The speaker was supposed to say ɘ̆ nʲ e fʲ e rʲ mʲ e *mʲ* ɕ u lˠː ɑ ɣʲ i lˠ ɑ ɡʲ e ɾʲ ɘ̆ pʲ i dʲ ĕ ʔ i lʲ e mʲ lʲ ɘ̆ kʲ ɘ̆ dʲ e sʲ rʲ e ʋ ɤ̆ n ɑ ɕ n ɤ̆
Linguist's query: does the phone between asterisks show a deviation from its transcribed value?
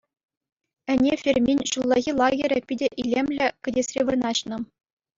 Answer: yes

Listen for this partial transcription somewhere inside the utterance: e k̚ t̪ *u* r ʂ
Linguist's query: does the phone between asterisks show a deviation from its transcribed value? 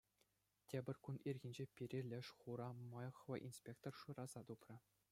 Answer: yes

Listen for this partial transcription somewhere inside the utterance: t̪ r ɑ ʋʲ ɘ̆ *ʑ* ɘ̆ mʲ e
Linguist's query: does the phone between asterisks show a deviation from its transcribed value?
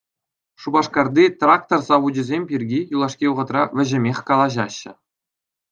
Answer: no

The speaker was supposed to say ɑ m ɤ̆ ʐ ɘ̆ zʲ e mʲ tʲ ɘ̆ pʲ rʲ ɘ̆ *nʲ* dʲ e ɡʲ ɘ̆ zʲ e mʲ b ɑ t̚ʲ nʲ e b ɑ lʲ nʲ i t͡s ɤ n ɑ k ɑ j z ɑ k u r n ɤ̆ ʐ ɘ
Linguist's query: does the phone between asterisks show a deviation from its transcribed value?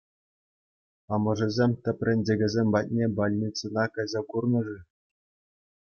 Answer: no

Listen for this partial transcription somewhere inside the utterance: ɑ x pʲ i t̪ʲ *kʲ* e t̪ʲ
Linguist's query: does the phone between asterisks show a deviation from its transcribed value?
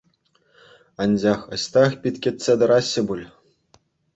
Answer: no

